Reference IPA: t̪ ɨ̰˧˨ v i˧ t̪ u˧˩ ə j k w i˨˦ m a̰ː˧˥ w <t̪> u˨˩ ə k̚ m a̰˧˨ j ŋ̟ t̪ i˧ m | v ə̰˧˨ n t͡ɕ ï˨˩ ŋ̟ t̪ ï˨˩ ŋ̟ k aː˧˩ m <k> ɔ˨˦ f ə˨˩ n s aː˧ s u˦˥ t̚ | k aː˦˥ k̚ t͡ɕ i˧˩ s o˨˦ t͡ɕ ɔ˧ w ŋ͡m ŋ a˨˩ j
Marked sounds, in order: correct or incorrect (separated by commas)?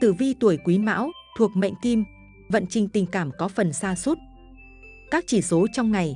incorrect, correct